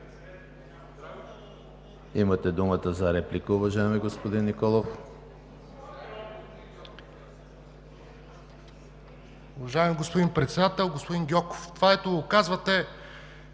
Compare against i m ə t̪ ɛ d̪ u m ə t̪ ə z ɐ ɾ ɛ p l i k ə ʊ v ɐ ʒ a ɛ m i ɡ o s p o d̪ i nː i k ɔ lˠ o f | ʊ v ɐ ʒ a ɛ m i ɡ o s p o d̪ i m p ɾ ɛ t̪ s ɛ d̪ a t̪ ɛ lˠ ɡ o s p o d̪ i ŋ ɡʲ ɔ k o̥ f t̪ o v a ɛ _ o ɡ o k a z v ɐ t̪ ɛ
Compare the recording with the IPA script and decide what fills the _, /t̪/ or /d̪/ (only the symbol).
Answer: t̪